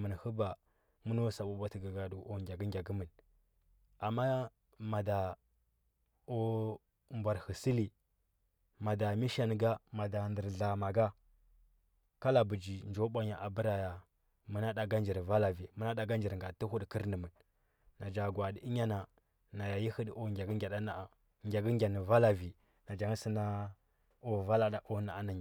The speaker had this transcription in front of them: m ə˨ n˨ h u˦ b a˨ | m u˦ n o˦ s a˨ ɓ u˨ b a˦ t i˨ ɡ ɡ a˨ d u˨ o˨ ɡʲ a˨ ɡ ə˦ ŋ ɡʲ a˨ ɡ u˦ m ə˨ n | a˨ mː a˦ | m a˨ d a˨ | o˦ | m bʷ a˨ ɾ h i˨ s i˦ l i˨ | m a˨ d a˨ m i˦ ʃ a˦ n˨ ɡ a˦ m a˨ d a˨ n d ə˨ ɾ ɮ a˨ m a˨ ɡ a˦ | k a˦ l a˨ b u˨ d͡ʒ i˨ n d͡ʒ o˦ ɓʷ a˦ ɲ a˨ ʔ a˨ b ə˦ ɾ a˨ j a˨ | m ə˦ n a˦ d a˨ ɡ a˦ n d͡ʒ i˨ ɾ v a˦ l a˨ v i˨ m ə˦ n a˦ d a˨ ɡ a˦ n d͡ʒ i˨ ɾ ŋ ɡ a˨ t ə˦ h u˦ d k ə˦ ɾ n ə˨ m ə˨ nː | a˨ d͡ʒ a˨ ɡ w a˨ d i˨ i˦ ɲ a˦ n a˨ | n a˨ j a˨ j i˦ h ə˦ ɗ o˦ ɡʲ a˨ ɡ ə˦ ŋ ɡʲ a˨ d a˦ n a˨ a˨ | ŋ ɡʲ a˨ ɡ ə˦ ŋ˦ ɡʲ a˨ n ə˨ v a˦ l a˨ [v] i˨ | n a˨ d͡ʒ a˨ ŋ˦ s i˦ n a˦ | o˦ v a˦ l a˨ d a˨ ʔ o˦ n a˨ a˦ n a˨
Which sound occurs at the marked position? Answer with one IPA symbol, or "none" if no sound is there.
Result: v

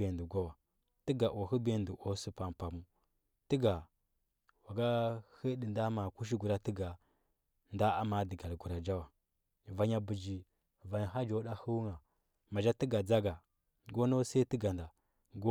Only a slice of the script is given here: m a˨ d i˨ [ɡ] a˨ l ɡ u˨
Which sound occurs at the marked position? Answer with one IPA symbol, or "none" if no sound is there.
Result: ɡ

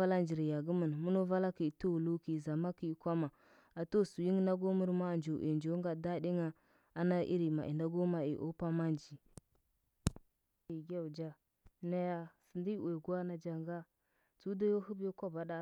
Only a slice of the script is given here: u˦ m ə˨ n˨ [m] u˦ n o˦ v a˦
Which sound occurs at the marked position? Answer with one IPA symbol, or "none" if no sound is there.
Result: m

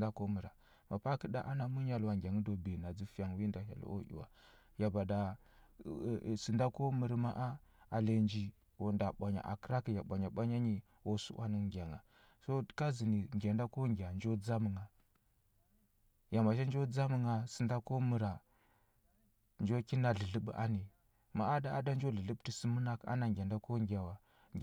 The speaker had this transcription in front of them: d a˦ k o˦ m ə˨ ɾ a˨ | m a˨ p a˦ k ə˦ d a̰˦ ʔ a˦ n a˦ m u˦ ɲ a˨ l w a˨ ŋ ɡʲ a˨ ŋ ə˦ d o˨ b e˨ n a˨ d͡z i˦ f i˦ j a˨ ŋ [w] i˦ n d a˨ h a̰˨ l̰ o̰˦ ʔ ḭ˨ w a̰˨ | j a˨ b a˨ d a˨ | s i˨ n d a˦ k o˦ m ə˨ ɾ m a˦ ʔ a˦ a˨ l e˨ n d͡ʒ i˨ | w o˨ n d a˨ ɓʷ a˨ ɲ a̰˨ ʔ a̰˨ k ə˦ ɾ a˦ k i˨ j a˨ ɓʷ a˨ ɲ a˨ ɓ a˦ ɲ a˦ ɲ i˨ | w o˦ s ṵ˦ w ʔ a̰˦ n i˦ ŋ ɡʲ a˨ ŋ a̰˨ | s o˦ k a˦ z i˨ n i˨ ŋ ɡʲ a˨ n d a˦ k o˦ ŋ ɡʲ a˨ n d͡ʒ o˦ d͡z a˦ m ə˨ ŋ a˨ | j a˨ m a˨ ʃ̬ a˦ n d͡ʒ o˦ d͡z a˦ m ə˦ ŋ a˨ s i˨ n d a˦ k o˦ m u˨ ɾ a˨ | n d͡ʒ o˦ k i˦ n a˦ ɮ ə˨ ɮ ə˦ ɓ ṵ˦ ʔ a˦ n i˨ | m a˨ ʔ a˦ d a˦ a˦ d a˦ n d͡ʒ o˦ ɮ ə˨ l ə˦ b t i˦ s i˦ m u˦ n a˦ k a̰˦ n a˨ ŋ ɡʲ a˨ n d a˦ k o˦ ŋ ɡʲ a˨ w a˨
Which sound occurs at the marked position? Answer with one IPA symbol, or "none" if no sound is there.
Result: w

